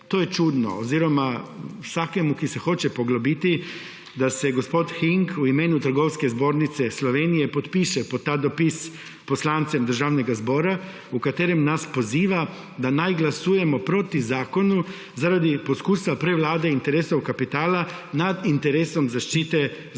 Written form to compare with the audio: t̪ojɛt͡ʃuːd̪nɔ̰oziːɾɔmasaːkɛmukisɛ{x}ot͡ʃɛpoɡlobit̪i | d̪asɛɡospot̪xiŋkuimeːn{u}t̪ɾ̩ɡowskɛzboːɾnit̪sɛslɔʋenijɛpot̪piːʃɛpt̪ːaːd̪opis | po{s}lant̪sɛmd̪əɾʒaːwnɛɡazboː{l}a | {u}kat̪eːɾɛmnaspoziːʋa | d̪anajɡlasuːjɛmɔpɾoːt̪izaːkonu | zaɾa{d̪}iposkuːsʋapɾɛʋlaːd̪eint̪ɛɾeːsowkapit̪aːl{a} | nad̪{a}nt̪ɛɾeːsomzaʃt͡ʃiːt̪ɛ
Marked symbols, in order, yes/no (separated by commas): yes, yes, yes, no, yes, yes, yes, no